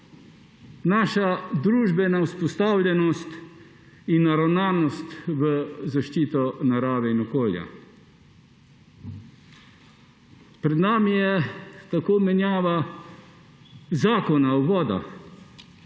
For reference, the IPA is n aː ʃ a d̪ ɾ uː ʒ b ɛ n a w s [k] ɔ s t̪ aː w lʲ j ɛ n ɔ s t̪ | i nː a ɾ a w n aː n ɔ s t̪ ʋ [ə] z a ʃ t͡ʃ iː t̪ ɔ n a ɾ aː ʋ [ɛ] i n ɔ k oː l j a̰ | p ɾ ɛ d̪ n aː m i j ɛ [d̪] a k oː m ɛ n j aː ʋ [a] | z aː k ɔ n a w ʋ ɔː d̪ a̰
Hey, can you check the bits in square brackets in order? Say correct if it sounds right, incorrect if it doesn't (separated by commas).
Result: incorrect, correct, correct, incorrect, correct